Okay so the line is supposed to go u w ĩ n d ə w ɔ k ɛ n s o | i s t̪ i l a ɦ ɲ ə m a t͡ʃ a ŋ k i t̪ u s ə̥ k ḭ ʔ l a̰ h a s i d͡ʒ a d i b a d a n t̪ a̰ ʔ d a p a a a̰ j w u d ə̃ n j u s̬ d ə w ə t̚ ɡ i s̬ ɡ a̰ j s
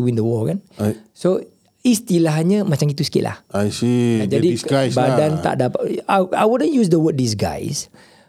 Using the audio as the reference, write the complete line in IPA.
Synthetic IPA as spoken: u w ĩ n d ə w ɔ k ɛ n s o | i s t̪ i l a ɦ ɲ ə m a t͡ʃ a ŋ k i t̪ u s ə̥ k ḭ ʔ l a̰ h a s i d͡ʒ a d i b a d a n t̪ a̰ ʔ d a p a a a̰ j w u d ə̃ n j u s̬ d ə w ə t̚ d i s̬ ɡ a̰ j s